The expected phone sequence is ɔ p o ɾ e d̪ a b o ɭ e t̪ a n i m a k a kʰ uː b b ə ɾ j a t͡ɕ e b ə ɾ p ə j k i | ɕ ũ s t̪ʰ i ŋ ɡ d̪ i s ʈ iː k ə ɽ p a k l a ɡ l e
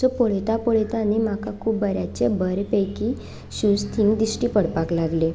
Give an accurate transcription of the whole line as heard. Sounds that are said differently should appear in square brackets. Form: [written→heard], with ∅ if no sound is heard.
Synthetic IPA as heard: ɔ p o [ɾ→ɭ] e [d̪→t̪] a [b→p] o ɭ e t̪ a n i m a k a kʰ uː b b ə ɾ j a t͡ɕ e b ə ɾ p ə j k i | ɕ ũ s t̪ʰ i ŋ ɡ d̪ i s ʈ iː [k→p] ə ɽ p a k l a ɡ l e